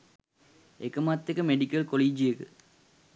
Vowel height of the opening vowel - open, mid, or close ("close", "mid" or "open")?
mid